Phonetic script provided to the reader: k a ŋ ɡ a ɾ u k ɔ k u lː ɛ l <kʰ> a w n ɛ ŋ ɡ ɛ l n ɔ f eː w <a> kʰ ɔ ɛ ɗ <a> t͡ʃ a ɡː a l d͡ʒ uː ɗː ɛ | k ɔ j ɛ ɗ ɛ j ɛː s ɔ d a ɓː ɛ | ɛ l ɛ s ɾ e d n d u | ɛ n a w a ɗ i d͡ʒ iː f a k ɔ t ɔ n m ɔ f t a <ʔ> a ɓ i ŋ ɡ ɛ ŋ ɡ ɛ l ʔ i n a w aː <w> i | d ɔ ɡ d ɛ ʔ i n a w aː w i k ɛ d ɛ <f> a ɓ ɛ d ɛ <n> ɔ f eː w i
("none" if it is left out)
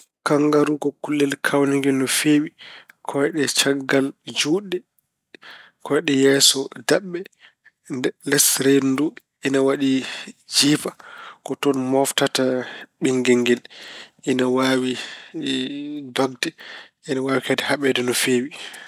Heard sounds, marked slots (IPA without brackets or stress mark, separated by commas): kʰ, i, ɛ, t, w, h, n